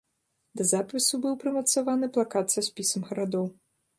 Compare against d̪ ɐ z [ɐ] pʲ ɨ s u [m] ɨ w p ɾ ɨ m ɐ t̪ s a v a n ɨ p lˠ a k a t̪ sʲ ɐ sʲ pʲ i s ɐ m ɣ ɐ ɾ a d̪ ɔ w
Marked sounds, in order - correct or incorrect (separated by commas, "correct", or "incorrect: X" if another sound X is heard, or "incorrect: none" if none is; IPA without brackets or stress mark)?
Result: incorrect: a, incorrect: b